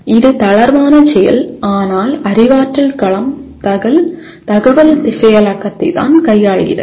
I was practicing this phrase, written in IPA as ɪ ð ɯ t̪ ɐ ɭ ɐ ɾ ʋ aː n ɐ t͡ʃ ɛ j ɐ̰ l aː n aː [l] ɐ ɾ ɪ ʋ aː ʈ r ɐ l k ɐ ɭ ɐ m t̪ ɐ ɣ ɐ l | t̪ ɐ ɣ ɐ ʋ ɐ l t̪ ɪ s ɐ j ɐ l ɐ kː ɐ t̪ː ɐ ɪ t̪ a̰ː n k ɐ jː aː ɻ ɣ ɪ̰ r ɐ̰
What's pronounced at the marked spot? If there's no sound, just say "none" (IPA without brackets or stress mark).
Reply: l